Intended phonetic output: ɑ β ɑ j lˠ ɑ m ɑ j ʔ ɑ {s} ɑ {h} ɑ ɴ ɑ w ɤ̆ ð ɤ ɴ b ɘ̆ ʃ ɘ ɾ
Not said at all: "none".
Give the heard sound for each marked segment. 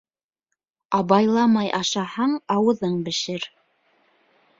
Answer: ʃ, h

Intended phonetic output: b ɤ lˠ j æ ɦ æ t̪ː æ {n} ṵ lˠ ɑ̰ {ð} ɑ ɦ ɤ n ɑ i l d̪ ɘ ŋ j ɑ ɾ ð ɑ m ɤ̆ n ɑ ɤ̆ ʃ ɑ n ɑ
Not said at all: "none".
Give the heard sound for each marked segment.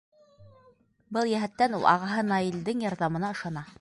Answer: n, ʁ

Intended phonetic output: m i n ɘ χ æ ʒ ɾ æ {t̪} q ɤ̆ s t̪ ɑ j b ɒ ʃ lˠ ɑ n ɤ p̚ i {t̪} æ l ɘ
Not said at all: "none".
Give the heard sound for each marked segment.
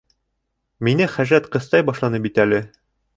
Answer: t̪, t̪

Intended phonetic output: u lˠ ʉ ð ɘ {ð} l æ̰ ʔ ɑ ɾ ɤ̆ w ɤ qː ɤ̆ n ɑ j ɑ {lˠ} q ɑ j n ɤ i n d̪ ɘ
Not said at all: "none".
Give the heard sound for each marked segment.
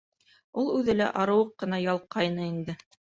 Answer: none, lˠ

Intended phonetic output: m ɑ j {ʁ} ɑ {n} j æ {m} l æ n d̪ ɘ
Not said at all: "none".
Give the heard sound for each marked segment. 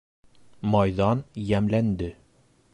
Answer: ð, n, m

